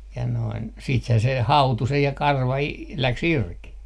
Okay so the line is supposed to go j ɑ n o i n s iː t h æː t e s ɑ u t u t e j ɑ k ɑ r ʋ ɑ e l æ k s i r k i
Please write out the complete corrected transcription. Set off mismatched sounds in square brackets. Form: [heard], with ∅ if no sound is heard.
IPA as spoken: j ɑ n o i n s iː t h æː [s] e [h] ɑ u t u [s] e j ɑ k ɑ r ʋ ɑ [i] l æ k s i r k i

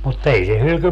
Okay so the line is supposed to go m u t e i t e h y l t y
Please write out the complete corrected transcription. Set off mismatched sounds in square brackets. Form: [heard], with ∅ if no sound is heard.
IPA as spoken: m u t e i [s] e h y l [k] y

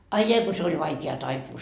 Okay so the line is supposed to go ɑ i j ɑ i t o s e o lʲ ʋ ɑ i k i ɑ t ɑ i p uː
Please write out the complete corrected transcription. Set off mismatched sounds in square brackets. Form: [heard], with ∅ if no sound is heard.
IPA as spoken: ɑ i j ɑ i [k] o s e o lʲ ʋ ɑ i k [e] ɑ t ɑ i p uː

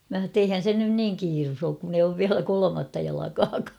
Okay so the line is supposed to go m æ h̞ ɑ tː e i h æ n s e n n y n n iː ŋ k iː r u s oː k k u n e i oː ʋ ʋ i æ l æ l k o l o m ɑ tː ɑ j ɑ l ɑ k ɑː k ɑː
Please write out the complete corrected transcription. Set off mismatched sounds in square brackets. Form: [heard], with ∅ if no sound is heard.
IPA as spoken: m æ h̞ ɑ tː e i h æ n s e n n y n n iː ŋ k iː r u s oː k k u n e i oː ʋ ʋ i æ l æ [∅] k o l o m ɑ tː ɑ j ɑ l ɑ k ɑː k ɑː

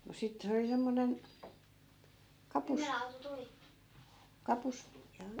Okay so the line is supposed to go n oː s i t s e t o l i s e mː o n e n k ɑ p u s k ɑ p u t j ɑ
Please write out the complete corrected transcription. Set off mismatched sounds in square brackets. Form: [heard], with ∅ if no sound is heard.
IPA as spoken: n [o] s i t s e [∅] o l i s e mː o n e n k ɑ p u s k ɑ p u [s] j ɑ

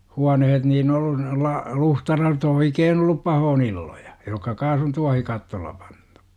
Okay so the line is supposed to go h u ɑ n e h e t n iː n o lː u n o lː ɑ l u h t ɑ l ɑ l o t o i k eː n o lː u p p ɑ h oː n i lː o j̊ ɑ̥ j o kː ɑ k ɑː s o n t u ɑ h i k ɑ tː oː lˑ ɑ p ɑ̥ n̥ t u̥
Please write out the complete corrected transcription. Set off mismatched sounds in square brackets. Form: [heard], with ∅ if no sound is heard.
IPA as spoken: h u ɑ n e h e t n iː n o lː u n o lː ɑ l u h t ɑ l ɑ [r] o t o i k eː n o lː u p p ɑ h oː n i lː o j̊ ɑ̥ j o kː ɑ k ɑː s o n t u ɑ h i k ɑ tː oː lˑ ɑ p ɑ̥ n̥ t u̥

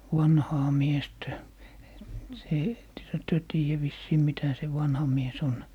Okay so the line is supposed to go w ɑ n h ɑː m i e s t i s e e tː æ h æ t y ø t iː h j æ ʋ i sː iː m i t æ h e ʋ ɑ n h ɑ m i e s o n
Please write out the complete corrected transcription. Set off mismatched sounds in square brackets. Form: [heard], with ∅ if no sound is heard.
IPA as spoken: w ɑ n h ɑː m i e s t [æ] s e e tː [e] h æ t y ø t iː [∅] j æ ʋ i sː iː m i t æ [s] e ʋ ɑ n h ɑ m i e s o n

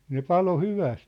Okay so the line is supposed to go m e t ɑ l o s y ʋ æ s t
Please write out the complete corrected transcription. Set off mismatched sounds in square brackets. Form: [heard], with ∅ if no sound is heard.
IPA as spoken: [n] e [p] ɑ l o [h] y ʋ æ s t

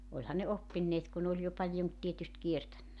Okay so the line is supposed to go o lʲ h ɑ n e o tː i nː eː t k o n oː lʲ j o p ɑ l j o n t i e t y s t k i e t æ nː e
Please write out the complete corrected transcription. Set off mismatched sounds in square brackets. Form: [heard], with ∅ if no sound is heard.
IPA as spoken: o lʲ h ɑ n e o [pː] i nː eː t k [u] n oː lʲ j o p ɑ l j o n t i e t y s t k i e t æ nː [æ]

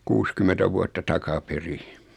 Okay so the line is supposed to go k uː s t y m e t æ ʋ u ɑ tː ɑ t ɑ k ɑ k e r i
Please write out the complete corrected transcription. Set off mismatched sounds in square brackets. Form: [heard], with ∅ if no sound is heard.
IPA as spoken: k uː s [k] y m e t æ ʋ u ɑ tː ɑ t ɑ k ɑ [p] e r i

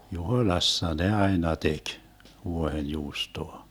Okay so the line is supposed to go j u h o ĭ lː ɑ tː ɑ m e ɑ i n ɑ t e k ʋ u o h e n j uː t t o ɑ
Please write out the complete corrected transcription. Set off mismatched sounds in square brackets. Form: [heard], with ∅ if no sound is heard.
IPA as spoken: j u h o ĭ [l] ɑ [sː] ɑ [n] e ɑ i n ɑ t e k ʋ u o h e n j uː [s] t o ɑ

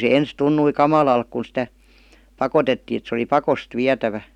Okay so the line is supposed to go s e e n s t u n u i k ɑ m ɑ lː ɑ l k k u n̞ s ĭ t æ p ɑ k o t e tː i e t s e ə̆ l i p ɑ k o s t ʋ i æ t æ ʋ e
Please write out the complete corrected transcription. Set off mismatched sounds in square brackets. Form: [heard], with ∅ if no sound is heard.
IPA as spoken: s e e n s t u [nː] u i k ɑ m ɑ [l] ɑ l k k u n̞ s ĭ t æ p ɑ k o t e tː [iː] e t s e ə̆ l i p ɑ k o s t ʋ i æ t æ ʋ [æ]

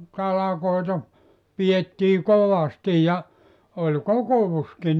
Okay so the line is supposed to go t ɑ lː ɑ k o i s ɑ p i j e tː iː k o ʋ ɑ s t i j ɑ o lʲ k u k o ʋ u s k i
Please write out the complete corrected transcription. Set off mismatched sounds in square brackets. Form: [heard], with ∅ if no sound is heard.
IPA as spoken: t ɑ [l] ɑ k o i [t] ɑ p i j e tː iː k o ʋ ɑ s t i j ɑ o lʲ k [o] k o ʋ u s k i

